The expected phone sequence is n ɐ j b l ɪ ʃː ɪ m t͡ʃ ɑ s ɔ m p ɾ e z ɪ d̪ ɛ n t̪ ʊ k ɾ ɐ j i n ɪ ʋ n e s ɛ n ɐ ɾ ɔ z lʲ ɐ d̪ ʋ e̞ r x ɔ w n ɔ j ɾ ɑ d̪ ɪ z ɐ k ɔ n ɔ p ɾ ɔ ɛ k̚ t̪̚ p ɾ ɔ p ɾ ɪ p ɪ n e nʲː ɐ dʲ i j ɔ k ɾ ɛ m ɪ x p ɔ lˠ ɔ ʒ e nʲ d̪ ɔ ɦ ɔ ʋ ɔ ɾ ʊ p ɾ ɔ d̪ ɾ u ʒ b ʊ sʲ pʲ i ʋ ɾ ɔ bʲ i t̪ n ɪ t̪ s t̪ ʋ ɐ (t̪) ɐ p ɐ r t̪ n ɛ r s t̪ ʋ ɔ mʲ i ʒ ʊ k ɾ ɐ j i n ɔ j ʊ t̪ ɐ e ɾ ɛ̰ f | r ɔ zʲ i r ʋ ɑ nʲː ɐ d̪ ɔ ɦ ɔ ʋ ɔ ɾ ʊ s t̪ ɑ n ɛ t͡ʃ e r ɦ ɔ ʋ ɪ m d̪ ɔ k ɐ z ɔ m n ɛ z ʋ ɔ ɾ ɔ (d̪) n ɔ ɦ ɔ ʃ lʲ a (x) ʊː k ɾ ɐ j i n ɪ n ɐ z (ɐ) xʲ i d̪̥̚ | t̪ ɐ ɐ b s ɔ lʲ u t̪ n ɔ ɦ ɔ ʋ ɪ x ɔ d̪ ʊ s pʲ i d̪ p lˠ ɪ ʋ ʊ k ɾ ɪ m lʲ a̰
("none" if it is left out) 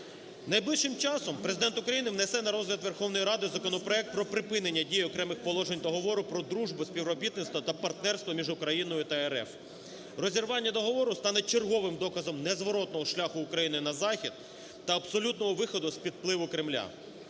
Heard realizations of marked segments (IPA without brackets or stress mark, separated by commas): t̪, t̪, x, ɑ